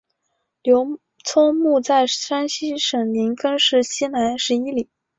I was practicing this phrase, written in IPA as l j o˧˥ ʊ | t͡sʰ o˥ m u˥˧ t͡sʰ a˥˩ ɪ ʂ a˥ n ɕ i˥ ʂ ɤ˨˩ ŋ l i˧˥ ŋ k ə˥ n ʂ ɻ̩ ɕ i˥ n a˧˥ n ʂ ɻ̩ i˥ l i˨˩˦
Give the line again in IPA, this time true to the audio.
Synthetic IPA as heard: l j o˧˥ ʊ | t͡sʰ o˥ m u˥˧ t͡s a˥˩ ɪ ʂ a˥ n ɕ i˥ ʂ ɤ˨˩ ŋ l i˧˥ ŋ k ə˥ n ʂ ɻ̩ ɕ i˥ n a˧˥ n ʂ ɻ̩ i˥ l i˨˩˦